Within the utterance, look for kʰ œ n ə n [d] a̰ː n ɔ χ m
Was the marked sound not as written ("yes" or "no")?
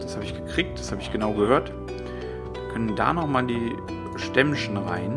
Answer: no